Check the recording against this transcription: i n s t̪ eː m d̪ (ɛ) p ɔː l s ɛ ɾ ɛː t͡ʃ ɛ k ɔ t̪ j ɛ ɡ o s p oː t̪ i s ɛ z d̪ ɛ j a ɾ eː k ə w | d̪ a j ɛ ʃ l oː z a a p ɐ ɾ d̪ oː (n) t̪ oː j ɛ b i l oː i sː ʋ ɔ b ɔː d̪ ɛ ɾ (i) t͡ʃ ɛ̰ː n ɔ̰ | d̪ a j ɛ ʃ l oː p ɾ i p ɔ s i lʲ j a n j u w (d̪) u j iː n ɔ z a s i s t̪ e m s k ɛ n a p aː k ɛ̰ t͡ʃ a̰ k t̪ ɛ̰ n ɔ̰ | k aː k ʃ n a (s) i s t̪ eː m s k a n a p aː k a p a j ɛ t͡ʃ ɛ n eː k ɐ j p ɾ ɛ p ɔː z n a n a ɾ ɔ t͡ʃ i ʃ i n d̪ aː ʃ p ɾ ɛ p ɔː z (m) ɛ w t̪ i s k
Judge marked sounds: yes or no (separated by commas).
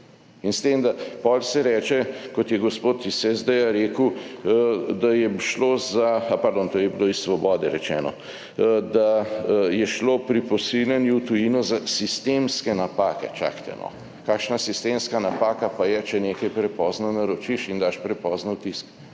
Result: no, yes, no, no, yes, no